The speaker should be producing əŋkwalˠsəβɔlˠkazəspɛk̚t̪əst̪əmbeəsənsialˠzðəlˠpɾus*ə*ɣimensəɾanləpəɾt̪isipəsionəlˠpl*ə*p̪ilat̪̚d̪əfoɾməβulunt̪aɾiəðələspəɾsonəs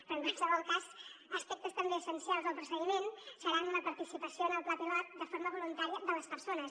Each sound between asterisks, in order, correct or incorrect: correct, incorrect

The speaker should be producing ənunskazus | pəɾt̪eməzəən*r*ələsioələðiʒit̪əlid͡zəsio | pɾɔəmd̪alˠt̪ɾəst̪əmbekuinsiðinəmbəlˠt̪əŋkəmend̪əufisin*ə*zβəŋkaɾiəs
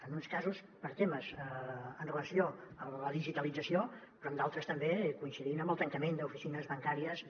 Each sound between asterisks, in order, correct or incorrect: correct, correct

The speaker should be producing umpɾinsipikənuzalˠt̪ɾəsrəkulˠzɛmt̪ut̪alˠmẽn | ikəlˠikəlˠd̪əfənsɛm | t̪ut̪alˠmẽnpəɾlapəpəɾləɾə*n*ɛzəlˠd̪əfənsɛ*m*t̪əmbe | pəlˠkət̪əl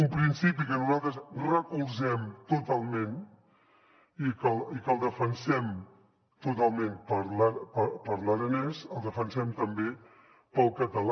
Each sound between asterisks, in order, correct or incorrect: correct, correct

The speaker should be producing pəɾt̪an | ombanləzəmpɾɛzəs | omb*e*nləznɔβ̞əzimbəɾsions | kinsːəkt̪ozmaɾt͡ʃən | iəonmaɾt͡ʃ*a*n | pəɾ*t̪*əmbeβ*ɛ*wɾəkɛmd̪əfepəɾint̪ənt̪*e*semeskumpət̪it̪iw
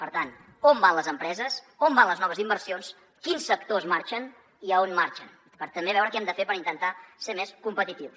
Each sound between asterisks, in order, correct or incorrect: incorrect, incorrect, correct, correct, incorrect

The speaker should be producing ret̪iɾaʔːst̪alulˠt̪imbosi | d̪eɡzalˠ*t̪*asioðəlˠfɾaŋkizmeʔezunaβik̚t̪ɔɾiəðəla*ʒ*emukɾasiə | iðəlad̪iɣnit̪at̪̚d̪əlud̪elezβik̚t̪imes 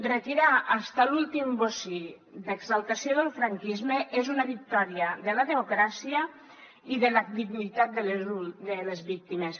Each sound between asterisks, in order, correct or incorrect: correct, incorrect

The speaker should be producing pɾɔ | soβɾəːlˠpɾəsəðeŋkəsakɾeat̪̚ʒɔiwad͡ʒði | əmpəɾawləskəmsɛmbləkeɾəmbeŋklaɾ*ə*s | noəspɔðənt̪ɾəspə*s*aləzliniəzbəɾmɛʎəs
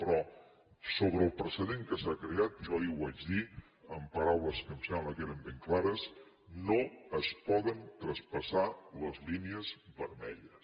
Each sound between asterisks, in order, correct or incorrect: correct, correct

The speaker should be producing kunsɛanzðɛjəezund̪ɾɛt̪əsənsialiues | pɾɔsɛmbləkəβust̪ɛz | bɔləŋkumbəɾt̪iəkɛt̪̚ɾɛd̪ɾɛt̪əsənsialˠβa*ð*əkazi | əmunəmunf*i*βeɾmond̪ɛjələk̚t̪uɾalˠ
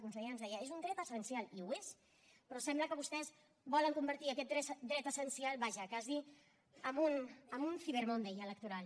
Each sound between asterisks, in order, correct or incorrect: incorrect, correct

